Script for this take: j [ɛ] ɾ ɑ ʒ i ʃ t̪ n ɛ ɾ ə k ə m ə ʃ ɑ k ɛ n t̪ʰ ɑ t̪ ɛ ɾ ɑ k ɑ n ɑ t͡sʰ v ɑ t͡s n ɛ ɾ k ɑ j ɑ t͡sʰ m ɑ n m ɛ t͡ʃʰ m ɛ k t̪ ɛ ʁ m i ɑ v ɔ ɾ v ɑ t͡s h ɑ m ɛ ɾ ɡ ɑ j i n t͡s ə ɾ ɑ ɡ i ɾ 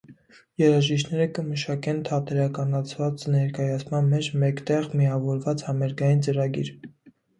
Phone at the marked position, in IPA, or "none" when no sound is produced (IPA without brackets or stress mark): ɛ